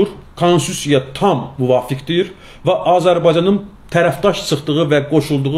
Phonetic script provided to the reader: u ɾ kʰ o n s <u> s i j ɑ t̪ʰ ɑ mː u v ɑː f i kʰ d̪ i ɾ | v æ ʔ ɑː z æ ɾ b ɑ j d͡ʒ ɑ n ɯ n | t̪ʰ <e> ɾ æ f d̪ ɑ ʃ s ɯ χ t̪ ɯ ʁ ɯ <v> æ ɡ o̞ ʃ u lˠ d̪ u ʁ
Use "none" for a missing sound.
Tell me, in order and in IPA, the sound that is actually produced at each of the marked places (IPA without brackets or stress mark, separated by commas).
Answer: u, æ, v